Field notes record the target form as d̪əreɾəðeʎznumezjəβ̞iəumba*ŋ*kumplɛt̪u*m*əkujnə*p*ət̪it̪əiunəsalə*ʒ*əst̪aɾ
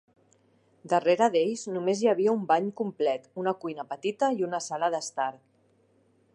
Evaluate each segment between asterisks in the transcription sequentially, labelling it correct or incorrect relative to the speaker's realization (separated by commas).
incorrect, incorrect, correct, incorrect